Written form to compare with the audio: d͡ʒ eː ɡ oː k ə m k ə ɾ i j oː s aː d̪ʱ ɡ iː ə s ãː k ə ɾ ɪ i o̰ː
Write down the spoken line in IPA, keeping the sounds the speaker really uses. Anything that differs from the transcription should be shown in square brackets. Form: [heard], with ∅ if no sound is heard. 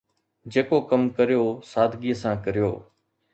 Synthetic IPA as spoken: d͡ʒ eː [k] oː k ə m k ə ɾ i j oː s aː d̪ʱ ɡ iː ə s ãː k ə ɾ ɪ [j] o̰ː